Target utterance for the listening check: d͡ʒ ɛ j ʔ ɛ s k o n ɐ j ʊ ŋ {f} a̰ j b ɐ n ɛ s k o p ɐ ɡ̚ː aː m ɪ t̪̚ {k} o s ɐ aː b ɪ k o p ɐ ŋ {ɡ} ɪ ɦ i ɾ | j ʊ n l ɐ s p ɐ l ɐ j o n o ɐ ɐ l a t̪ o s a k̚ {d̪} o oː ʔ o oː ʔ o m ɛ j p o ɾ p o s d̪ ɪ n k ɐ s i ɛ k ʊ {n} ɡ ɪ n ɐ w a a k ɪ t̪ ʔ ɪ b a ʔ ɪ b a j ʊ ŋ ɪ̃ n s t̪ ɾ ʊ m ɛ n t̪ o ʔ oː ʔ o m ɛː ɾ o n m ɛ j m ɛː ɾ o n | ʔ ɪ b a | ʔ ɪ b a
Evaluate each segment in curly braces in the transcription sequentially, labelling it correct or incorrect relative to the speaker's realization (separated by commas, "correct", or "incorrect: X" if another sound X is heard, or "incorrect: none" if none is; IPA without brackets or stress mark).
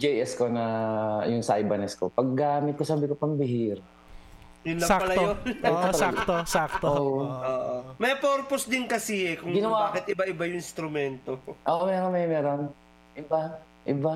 incorrect: s, correct, incorrect: b, incorrect: t̪, incorrect: ŋ